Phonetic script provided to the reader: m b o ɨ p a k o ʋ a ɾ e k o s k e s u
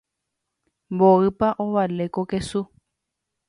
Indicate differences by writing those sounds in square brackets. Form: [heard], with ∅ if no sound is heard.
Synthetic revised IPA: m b o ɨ p a [ʔ] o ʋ a [l] e k o [∅] k e s u